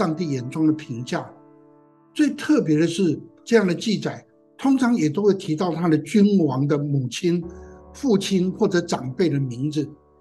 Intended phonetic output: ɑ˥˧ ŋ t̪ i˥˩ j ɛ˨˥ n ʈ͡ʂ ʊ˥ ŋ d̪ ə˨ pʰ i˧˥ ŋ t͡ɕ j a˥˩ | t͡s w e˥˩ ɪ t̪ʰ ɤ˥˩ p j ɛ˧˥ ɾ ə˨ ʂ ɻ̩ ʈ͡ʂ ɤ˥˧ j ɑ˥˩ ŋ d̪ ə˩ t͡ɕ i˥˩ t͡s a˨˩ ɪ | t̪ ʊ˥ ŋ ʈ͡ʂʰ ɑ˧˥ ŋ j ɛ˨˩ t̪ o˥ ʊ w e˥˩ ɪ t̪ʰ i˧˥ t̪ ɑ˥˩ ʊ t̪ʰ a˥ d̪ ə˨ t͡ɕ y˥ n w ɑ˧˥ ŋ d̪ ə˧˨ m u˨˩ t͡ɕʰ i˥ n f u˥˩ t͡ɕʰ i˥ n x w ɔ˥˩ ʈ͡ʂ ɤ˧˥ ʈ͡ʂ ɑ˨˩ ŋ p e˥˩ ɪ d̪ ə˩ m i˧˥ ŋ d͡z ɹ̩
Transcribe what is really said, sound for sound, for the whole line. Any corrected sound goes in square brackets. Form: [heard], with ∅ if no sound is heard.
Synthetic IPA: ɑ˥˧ ŋ t̪ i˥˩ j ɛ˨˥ n ʈ͡ʂ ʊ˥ ŋ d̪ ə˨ pʰ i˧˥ ŋ t͡ɕ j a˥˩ | t͡s w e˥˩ ɪ t̪ʰ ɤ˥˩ p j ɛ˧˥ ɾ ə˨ ʂ ɻ̩ ʈ͡ʂ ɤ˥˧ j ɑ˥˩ ŋ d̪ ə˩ t͡ɕ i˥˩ t͡s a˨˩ ɪ | [t̪ʰ] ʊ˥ ŋ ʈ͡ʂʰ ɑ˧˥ ŋ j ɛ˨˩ t̪ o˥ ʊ w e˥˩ ɪ t̪ʰ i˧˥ t̪ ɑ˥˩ ʊ t̪ʰ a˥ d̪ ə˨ t͡ɕ y˥ n w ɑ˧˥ ŋ d̪ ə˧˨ m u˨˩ t͡ɕʰ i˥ n f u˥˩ t͡ɕʰ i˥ n x w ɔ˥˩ ʈ͡ʂ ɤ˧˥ ʈ͡ʂ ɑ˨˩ ŋ p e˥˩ ɪ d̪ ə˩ m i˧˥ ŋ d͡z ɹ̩